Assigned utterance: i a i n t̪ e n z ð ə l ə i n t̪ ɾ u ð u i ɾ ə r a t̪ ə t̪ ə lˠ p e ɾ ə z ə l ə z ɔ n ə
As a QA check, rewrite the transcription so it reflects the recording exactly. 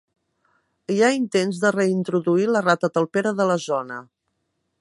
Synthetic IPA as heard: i a i n t̪ e n z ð ə r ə i n t̪ ɾ u ð u i l ə r a t̪ ə t̪ ə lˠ p e ɾ ə ð ə l ə z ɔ n ə